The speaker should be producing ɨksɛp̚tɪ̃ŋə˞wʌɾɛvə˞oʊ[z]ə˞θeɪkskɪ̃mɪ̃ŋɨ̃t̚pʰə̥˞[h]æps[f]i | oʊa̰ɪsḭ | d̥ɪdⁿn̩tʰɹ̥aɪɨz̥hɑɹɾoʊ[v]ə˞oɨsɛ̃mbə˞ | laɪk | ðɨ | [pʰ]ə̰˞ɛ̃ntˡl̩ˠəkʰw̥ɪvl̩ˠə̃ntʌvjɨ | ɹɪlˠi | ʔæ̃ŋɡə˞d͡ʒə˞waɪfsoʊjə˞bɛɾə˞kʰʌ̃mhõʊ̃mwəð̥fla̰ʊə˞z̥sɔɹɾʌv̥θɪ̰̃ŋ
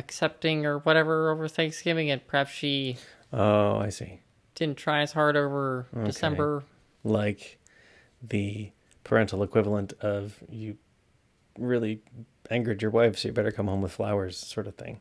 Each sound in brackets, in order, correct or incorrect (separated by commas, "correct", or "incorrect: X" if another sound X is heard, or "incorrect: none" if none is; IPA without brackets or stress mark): incorrect: v, correct, incorrect: ʃ, correct, correct